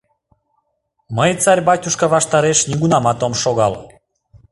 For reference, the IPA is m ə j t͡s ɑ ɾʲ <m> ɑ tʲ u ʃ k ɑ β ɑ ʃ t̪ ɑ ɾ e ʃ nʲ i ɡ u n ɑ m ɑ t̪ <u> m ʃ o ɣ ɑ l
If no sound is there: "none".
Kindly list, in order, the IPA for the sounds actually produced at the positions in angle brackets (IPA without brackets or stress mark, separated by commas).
b, o